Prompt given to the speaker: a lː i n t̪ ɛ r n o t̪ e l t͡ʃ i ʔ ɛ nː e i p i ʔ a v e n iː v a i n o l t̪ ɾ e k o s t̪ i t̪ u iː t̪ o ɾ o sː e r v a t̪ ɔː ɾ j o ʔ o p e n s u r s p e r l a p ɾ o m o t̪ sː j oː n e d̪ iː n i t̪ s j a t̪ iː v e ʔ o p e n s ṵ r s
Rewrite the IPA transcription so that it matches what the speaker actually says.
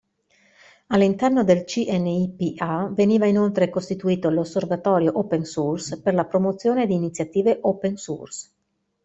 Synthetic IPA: a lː i n t̪ ɛ r n o d̪ e l t͡ʃ i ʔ ɛ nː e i p i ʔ a v e n iː v a i n o l t̪ ɾ e k o s t̪ i t̪ u iː t̪ o l o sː e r v a t̪ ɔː ɾ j o ʔ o p e n s u r s p e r l a p ɾ o m o t̪ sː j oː n e d̪ iː n i t̪ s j a t̪ iː v e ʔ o p e n s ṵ r s